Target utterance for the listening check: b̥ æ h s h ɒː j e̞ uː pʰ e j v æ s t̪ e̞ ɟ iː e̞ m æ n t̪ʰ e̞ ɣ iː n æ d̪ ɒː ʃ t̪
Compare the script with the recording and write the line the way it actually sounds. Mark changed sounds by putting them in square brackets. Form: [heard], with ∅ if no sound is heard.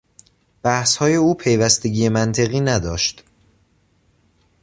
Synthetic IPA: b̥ æ h s h ɒː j e̞ uː pʰ e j v æ s t̪ e̞ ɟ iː e̞ m æ n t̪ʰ e̞ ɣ iː n æ d̪ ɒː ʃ t̪